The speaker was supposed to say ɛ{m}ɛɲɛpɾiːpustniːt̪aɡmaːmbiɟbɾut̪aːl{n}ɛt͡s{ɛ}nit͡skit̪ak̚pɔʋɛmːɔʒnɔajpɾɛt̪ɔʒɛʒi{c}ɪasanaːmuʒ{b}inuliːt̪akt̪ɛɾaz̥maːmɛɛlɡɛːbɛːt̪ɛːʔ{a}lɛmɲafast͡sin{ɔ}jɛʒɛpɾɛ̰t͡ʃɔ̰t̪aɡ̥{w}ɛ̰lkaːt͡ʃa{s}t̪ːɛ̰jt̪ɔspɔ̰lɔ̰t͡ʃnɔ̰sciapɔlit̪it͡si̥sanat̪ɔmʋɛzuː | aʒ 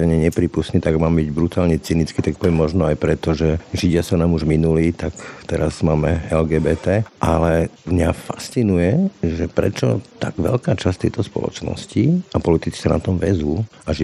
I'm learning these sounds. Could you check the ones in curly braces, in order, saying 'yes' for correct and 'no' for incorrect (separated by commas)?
no, no, no, no, no, yes, no, no, yes